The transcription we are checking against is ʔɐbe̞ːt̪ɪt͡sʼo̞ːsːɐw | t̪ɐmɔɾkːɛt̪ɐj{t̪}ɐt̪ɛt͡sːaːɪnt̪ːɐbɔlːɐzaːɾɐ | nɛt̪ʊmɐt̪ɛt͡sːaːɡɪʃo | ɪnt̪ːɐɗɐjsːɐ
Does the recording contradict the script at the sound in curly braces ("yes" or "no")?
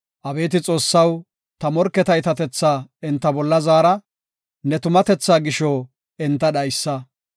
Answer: no